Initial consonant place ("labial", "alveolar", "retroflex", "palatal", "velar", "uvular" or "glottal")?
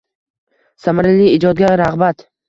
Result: alveolar